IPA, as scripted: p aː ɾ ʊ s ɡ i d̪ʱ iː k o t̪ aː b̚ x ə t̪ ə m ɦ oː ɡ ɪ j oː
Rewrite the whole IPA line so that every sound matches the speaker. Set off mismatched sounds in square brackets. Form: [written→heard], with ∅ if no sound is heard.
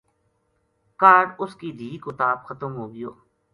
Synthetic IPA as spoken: [p→k] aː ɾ ʊ s [ɡ→k] i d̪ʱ iː k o t̪ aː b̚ x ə t̪ ə m ɦ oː ɡ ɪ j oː